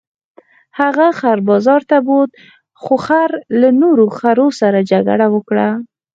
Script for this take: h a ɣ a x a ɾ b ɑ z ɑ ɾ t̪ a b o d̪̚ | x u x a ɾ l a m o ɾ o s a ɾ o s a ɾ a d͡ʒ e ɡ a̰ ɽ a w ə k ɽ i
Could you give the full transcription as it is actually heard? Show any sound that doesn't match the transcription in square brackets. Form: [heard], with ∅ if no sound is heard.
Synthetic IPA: h a ɣ a x a ɾ b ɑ z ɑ ɾ t̪ a b o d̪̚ | x [o] x a ɾ l a [n] o ɾ o [x] a ɾ o s a ɾ a d͡ʒ [a] ɡ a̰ ɽ a w ə k ɽ [a]